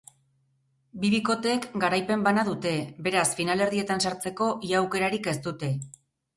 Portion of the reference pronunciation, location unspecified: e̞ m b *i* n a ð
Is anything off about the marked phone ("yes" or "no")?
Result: yes